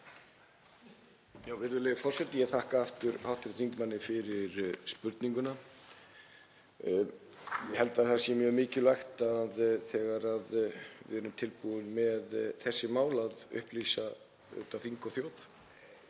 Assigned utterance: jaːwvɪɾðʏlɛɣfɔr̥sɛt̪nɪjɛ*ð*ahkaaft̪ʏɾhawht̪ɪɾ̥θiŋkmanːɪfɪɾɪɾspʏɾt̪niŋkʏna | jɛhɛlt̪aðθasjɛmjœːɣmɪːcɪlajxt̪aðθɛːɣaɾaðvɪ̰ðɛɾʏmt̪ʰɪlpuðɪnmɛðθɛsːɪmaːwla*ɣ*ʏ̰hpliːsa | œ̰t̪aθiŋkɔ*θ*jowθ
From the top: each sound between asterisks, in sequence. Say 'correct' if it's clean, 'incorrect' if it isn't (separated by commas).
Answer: incorrect, incorrect, correct